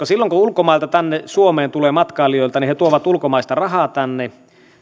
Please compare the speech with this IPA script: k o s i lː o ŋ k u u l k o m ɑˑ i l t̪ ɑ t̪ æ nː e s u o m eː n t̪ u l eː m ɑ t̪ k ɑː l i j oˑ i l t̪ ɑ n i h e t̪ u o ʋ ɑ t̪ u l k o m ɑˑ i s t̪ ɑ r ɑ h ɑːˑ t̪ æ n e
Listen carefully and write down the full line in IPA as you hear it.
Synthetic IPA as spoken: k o s i lː o ŋ k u u l k o m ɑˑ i l t̪ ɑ t̪ æ nː e s u o m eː n t̪ u l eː m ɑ t̪ k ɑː l i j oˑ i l t̪ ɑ n i h e t̪ u o ʋ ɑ t̪ u l k o m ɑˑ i s t̪ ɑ r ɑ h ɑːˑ t̪ æ nː e